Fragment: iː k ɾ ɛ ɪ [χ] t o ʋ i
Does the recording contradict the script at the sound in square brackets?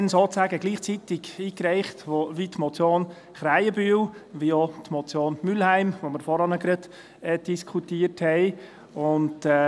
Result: no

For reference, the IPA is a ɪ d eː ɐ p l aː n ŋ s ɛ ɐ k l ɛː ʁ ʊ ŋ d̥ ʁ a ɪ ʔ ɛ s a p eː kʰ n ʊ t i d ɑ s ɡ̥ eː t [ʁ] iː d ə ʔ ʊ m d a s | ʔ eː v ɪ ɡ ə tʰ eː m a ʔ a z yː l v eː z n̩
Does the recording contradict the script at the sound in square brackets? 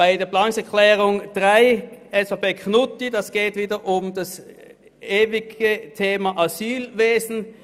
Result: yes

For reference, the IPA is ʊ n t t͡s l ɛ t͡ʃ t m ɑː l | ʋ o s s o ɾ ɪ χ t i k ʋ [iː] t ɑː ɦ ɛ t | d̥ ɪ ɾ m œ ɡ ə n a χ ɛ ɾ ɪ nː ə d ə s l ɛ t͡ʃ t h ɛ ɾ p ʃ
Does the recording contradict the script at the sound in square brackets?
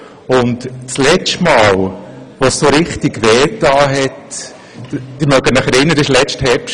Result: yes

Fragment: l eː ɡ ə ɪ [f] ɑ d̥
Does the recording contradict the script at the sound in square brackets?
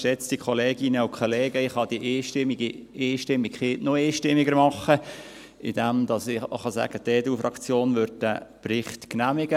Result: yes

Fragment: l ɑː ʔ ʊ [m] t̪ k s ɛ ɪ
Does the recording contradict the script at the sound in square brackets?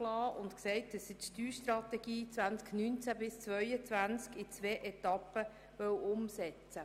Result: yes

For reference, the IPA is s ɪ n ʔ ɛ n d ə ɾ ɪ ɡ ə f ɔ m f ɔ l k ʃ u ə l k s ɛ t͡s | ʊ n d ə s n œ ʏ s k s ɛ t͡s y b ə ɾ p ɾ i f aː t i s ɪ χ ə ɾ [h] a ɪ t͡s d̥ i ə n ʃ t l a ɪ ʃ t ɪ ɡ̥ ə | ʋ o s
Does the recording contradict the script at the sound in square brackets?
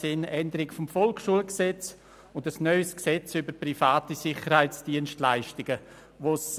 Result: no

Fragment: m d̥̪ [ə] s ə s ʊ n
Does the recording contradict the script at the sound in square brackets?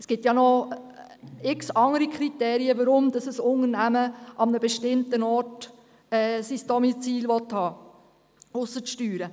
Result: yes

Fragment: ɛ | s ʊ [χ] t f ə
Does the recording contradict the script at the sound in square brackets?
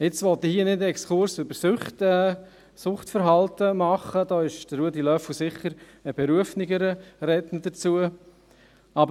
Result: no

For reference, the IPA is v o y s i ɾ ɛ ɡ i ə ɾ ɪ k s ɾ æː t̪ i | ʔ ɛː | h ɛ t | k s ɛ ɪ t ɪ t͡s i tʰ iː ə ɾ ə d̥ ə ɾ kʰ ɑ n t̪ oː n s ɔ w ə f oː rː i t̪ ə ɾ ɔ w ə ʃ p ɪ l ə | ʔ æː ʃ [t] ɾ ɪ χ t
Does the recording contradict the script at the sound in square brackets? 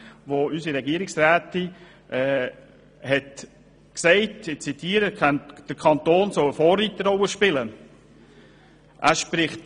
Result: yes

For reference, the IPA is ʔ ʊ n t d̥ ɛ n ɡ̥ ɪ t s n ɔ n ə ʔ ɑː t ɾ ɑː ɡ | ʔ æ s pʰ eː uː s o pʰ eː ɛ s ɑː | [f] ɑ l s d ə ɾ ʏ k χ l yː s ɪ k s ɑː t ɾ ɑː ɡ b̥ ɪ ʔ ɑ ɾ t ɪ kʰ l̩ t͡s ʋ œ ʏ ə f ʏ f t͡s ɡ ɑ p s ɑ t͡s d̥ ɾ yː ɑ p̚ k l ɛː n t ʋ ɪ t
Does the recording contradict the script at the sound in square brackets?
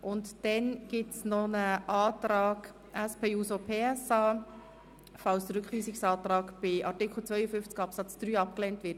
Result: no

